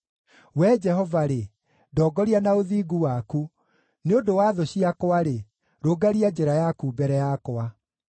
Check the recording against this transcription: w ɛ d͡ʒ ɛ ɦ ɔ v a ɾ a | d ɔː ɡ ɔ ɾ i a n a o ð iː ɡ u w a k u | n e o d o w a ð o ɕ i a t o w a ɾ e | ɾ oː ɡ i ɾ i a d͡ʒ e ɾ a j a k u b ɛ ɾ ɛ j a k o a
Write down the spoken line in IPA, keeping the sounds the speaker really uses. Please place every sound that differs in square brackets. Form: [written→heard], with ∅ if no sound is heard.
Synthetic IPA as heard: w ɛ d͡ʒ ɛ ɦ ɔ v a ɾ [a→e] | d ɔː ɡ ɔ ɾ i a n a o ð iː ɡ u w a k u | n e o d o w a ð o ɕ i a [t→k] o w a ɾ e | ɾ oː ɡ [i→a] ɾ i a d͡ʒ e ɾ a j a k u b ɛ ɾ ɛ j a k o a